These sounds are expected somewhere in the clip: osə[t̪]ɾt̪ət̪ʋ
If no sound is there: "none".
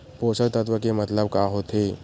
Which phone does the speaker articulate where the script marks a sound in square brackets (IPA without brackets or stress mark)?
none